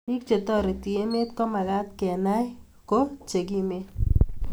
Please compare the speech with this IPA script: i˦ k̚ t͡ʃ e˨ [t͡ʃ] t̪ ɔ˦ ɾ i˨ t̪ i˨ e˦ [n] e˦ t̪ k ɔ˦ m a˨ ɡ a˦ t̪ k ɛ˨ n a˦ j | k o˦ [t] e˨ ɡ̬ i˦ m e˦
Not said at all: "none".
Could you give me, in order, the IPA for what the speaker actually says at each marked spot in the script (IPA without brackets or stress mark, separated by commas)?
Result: none, m, t͡ʃ